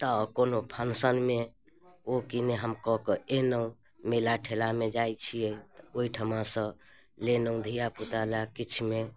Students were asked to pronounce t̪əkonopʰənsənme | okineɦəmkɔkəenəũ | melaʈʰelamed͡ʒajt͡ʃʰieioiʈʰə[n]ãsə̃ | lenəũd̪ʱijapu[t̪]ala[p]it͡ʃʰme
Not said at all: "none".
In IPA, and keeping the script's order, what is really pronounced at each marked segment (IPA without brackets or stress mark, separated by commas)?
m, t̪, k